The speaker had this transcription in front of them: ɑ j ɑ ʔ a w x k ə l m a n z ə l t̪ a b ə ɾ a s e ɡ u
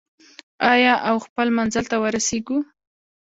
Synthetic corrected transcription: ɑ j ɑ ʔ a w x p ə l m a n z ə l t̪ a w ə ɾ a s e ɡ u